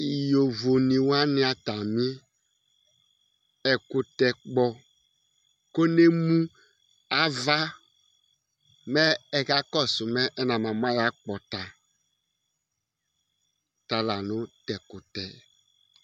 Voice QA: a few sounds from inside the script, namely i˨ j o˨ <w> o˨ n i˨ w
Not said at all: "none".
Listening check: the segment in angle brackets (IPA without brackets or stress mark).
v